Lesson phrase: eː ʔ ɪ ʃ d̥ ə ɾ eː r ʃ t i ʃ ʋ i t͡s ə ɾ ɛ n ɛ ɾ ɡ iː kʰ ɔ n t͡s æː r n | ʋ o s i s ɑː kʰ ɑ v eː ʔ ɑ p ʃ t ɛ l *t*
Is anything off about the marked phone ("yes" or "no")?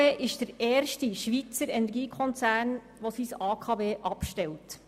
no